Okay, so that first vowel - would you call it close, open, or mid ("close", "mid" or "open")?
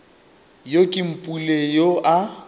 mid